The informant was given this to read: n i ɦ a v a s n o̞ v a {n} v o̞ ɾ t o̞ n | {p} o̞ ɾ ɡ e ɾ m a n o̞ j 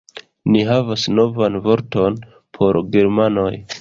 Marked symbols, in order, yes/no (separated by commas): yes, no